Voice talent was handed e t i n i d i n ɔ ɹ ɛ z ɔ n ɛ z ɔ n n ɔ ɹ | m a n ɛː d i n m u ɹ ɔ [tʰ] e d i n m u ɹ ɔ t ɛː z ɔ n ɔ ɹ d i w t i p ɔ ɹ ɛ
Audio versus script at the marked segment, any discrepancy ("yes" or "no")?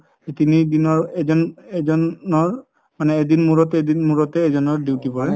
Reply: yes